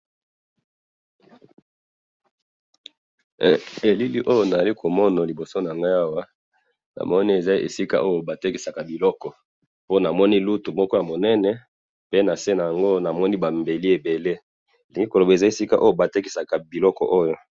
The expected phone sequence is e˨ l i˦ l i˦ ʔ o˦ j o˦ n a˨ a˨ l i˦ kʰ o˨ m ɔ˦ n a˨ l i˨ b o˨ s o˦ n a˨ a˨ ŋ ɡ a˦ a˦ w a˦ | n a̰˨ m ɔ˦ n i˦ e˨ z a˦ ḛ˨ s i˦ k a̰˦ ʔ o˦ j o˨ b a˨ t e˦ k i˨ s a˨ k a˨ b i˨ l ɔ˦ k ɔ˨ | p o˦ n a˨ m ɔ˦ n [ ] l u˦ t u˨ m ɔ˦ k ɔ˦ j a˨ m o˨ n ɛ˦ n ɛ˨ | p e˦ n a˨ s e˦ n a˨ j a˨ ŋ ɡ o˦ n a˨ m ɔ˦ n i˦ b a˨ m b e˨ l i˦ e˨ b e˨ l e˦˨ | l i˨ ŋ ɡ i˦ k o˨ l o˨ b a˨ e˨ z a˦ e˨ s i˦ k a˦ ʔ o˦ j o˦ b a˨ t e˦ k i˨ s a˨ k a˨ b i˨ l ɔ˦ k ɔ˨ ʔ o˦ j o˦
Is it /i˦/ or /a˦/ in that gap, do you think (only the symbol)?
i˦